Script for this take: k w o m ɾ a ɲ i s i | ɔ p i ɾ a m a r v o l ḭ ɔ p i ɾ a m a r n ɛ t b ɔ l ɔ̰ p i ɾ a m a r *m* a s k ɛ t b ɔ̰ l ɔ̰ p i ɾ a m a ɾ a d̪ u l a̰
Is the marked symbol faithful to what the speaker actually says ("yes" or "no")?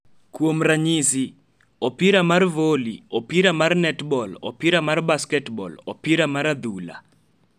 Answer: no